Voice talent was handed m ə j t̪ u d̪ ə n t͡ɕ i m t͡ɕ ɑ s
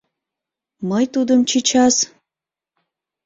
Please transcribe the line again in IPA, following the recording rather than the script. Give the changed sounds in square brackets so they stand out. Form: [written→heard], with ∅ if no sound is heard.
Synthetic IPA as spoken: m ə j t̪ u d̪ ə [n→m] t͡ɕ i [m→∅] t͡ɕ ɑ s

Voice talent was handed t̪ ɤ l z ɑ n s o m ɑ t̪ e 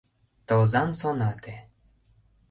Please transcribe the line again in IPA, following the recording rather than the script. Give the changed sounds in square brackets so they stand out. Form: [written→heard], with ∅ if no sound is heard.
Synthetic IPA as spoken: t̪ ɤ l z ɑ n s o [m→n] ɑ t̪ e

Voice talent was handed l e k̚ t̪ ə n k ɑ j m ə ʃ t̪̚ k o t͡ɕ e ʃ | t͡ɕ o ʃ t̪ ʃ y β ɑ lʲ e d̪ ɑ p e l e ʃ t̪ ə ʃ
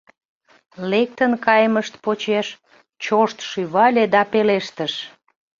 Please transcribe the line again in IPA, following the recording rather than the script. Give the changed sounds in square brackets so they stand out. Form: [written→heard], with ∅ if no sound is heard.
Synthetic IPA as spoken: l e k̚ t̪ ə n k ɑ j m ə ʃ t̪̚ [k→p] o t͡ɕ e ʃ | t͡ɕ o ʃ t̪ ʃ y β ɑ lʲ e d̪ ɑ p e l e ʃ t̪ ə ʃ

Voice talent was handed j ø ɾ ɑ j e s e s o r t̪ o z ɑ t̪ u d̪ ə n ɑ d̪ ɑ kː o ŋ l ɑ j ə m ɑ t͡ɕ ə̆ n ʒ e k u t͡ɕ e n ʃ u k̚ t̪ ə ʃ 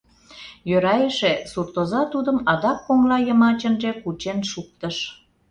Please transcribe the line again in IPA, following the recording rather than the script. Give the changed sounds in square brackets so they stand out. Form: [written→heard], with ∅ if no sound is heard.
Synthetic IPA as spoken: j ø ɾ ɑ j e [s→ʃ] e s [o→u] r t̪ o z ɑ t̪ u d̪ ə [n→m] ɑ d̪ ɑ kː o ŋ l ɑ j ə m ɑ t͡ɕ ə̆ n ʒ e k u t͡ɕ e n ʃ u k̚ t̪ ə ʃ

